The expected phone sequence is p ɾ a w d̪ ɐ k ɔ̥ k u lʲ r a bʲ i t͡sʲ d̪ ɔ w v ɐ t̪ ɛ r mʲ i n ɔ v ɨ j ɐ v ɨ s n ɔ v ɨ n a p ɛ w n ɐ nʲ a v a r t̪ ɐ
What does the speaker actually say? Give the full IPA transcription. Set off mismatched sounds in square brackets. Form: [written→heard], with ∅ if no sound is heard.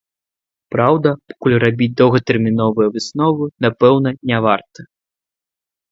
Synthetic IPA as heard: p ɾ a w d̪ ɐ [k→p] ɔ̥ k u lʲ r a bʲ i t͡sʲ d̪ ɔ w [v→ɣ] ɐ t̪ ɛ r mʲ i n ɔ v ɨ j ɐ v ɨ s n ɔ v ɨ n a p ɛ w n ɐ nʲ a v a r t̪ ɐ